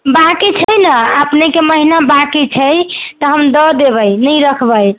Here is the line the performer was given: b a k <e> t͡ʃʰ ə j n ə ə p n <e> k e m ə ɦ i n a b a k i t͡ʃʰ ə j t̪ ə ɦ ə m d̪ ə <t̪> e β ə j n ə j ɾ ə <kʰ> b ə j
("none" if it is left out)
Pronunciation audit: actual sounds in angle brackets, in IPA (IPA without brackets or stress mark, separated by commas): i, e, d̪, kʰ